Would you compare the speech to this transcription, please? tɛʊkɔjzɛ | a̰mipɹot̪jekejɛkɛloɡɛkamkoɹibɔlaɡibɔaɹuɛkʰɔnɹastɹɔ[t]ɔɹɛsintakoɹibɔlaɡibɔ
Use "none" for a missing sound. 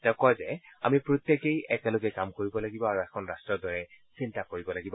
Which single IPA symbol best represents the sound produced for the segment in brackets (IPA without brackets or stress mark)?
d